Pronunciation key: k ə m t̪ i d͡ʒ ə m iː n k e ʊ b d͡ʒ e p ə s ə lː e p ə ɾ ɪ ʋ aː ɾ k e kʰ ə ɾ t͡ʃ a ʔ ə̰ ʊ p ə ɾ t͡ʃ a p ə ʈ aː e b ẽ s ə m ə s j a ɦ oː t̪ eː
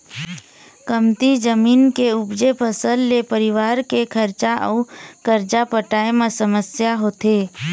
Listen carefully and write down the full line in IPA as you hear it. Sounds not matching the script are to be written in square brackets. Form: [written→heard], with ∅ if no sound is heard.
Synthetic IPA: k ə m t̪ i d͡ʒ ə m iː n k e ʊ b d͡ʒ e p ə s ə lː e p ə ɾ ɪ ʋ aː ɾ k e kʰ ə ɾ t͡ʃ a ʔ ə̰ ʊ [p→k] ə ɾ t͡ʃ a p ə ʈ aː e [b→m] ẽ s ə m ə s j a ɦ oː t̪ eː